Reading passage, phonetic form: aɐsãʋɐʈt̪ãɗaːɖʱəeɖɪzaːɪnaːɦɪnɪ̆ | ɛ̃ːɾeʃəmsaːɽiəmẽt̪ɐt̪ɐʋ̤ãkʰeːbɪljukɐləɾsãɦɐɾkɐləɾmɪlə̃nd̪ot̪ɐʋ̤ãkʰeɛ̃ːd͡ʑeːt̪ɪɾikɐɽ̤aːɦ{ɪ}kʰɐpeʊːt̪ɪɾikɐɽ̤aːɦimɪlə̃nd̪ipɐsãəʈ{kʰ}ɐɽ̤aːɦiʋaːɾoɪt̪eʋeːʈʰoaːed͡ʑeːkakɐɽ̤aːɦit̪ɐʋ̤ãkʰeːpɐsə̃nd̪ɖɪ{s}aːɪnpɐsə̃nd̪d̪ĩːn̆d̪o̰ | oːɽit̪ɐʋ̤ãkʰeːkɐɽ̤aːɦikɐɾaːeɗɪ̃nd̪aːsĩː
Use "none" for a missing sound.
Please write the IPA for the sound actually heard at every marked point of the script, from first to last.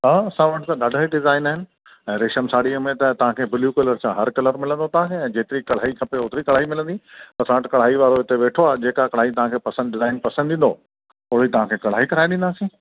i, k, z

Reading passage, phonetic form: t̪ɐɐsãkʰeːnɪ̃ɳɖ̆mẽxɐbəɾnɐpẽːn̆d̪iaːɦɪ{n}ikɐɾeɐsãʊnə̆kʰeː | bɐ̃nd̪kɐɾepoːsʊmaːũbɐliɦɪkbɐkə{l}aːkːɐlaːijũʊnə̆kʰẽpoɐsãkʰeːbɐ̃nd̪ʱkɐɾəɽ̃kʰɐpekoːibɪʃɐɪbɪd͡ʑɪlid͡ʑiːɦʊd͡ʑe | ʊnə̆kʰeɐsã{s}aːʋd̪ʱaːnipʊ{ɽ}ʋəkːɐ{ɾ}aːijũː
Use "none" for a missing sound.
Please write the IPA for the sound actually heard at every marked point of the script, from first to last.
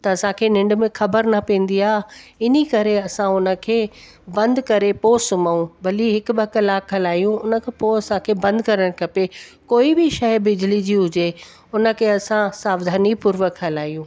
n, l, s, ɾ, l

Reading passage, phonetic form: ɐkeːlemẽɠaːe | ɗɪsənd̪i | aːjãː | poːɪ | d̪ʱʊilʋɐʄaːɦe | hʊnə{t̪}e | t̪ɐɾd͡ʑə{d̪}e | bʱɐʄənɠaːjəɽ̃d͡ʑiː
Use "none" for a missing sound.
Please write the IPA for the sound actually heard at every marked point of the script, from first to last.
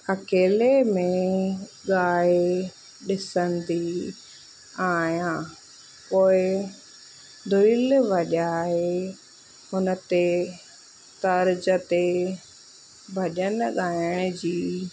t̪, t̪

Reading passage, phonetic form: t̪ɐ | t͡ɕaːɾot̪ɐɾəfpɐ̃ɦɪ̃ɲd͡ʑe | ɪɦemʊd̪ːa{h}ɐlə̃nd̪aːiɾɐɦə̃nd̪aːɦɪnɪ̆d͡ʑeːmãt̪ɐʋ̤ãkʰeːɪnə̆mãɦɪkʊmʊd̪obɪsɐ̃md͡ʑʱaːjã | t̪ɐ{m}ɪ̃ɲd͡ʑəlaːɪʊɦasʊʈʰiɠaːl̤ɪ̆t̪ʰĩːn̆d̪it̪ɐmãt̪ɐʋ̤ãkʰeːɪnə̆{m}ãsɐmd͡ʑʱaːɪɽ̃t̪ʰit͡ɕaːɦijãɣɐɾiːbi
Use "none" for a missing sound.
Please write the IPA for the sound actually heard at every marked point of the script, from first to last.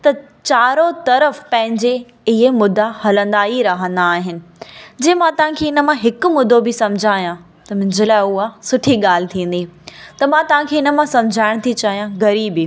h, m, m

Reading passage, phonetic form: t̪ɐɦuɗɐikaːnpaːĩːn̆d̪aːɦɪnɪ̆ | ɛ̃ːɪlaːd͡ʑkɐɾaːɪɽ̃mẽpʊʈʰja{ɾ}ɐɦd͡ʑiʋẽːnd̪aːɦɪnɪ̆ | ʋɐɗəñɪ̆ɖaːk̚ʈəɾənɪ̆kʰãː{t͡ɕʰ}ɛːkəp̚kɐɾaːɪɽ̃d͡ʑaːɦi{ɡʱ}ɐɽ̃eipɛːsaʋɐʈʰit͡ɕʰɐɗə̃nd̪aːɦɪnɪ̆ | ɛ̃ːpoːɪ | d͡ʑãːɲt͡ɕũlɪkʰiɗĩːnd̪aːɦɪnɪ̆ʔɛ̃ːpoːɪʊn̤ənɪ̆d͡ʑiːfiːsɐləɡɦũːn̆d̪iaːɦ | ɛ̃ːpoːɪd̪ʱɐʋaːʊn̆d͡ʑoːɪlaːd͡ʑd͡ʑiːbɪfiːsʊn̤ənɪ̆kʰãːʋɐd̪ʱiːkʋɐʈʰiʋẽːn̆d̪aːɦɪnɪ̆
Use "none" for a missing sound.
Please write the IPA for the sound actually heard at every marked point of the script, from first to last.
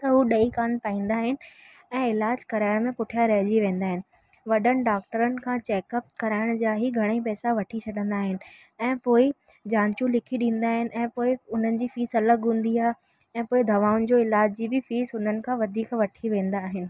ɾ, t͡ɕ, ɡʱ

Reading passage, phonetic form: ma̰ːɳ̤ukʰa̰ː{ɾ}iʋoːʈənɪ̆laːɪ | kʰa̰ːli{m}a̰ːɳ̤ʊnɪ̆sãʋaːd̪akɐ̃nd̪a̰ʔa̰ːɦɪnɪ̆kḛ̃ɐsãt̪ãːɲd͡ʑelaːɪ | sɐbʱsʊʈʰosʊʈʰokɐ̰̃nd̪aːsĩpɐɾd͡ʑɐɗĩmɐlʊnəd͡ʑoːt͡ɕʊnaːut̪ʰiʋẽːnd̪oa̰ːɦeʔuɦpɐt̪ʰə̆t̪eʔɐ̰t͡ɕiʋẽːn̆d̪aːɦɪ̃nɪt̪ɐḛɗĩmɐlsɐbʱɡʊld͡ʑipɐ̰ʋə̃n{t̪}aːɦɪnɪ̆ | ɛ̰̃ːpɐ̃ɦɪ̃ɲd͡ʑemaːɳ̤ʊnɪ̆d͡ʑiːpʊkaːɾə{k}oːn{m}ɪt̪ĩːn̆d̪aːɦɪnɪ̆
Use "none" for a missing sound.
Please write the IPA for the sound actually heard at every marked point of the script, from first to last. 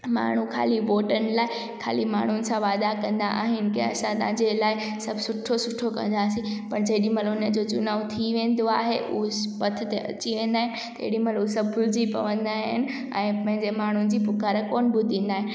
l, m, d̪, k, b

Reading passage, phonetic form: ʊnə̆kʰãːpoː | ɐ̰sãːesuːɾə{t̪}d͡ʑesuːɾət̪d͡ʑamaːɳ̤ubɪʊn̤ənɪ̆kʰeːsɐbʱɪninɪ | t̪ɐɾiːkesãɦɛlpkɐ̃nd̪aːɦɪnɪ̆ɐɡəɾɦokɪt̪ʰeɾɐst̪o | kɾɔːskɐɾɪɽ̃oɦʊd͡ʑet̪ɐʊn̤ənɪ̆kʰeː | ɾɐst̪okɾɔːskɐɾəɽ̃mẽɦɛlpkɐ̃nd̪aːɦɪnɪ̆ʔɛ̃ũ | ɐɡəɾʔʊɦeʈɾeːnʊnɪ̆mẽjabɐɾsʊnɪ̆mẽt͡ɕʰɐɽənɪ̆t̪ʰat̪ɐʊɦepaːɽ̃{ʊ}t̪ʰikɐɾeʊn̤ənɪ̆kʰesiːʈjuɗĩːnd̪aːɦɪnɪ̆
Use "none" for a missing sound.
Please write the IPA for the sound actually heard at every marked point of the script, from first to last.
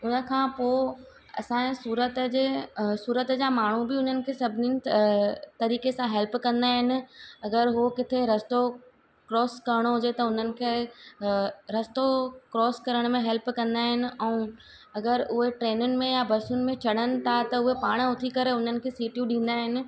t̪, ʊ

